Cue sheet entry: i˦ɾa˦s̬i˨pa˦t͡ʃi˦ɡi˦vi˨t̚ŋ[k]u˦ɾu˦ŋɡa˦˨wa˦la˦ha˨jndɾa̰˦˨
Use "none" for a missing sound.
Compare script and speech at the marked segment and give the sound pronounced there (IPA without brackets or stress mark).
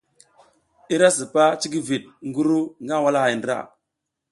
ɡ